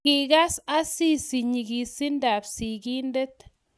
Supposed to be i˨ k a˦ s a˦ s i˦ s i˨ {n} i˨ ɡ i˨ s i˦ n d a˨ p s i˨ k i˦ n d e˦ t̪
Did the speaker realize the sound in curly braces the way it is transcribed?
no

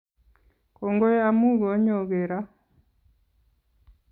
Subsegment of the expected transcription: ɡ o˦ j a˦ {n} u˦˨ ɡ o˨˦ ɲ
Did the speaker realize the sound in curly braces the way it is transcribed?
no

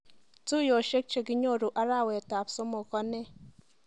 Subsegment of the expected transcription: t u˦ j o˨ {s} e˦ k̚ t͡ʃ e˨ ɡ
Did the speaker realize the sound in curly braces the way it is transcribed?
no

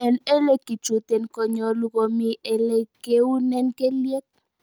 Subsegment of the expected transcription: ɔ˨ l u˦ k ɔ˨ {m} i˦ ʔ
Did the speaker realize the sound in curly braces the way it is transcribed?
yes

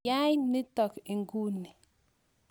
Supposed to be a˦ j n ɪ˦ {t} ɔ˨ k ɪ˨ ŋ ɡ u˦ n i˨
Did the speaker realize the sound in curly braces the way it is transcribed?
yes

